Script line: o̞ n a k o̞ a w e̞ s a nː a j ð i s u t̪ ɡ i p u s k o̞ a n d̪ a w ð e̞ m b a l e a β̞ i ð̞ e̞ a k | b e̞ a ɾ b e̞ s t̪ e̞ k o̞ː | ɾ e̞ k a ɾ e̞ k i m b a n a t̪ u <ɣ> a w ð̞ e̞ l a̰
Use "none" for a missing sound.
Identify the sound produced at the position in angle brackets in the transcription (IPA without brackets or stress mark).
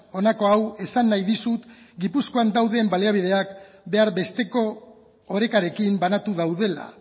ð